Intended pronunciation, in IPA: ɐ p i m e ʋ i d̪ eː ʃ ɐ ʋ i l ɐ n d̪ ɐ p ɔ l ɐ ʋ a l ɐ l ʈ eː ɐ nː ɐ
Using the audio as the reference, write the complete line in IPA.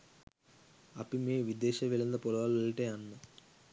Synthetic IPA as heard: ɐ p i m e ʋ i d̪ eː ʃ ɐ ʋ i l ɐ n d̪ ɐ p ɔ l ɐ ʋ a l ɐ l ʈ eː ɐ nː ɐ